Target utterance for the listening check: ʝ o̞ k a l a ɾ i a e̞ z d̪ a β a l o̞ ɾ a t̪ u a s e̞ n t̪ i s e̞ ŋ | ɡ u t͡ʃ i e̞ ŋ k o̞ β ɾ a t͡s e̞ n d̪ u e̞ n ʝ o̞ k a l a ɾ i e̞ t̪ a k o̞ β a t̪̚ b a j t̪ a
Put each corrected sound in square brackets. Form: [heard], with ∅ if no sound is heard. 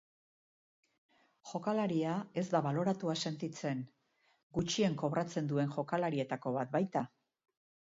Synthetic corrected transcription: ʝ o̞ k a l a ɾ i a e̞ z d̪ a β a l o̞ ɾ a t̪ u a s e̞ n t̪ i [t͡s] e̞ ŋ | ɡ u t͡ʃ i e̞ ŋ k o̞ β ɾ a t͡s e̞ n d̪ u e̞ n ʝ o̞ k a l a ɾ i e̞ t̪ a k o̞ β a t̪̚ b a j t̪ a